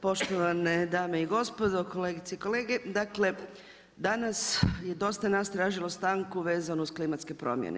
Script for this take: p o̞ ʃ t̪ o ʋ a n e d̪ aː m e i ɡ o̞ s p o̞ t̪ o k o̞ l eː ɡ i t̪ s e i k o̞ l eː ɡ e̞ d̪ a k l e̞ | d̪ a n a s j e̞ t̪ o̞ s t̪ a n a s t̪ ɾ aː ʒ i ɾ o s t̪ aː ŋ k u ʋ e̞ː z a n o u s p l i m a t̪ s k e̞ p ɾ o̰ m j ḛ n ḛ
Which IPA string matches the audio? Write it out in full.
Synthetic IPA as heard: p o̞ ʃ t̪ o ʋ a n e d̪ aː m e i ɡ o̞ s p o̞ d̪ o k o̞ l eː ɡ i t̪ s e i k o̞ l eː ɡ e̞ d̪ a k l e̞ | d̪ a n a s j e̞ d̪ o̞ s t̪ a n a s t̪ ɾ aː ʒ i l o s t̪ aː ŋ k u ʋ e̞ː z a n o u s k l i m a t̪ s k e̞ p ɾ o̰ m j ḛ n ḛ